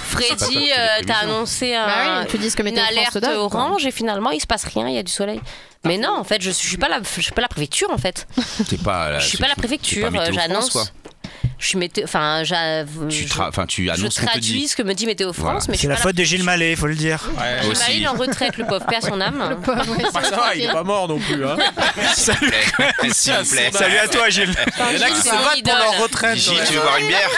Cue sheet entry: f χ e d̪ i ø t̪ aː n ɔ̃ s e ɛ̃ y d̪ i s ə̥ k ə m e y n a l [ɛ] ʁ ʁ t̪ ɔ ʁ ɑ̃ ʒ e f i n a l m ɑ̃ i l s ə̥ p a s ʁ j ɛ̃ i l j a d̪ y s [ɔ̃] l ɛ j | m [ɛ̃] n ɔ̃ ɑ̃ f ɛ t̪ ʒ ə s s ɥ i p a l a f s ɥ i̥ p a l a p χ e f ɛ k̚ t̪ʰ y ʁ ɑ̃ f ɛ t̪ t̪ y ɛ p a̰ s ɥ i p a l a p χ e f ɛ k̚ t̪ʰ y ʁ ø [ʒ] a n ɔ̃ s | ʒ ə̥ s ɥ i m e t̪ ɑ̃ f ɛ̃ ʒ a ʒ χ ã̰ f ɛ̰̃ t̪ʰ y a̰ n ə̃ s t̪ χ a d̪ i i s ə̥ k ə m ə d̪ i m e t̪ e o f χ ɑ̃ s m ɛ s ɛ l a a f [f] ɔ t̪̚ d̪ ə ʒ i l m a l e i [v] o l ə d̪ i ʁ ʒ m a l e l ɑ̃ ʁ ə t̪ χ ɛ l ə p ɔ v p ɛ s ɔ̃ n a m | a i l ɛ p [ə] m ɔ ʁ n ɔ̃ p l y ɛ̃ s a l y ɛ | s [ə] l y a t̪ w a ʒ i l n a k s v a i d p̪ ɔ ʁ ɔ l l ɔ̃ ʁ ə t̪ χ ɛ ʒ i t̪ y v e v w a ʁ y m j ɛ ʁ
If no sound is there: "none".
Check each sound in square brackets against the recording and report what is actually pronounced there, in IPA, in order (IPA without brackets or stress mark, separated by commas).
ɛ, ɔ, ɛ, ʒ, f, f, a, a